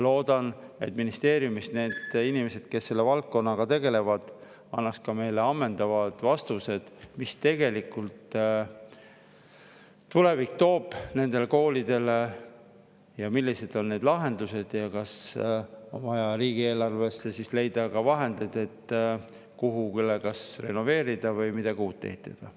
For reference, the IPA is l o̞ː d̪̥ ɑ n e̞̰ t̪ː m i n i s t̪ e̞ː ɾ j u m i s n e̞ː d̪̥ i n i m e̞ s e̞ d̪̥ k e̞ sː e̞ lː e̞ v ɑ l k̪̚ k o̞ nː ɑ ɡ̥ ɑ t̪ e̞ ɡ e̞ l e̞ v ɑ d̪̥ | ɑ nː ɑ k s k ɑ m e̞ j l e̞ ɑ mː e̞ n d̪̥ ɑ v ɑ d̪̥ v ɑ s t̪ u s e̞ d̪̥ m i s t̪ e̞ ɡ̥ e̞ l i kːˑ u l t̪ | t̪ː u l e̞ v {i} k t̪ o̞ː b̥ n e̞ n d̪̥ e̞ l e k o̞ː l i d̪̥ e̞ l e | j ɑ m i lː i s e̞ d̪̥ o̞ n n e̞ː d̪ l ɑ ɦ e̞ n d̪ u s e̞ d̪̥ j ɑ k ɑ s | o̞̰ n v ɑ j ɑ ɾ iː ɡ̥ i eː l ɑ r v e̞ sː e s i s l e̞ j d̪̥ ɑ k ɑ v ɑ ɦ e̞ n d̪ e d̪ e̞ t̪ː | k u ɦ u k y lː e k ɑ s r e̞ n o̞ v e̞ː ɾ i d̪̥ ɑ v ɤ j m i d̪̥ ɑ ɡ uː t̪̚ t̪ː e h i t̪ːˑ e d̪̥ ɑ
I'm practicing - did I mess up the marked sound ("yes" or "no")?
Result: no